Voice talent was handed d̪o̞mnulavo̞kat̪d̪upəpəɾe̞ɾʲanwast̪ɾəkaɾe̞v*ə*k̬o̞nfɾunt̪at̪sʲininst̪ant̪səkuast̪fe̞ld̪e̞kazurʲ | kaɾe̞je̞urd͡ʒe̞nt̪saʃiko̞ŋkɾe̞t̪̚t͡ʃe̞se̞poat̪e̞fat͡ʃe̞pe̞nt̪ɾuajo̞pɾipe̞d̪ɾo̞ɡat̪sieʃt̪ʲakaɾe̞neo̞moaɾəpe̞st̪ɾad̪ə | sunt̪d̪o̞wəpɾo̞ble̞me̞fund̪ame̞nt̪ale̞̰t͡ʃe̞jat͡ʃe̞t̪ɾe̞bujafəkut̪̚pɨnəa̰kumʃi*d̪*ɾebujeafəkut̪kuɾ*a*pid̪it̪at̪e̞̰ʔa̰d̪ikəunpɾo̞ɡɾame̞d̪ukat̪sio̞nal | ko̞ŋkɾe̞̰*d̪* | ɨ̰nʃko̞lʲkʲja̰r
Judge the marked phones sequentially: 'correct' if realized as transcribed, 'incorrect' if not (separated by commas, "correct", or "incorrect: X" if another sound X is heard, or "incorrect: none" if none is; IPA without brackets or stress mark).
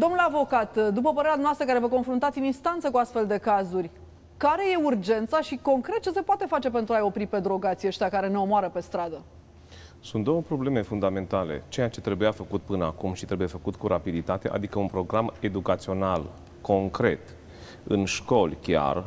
correct, incorrect: t̪, correct, incorrect: t̪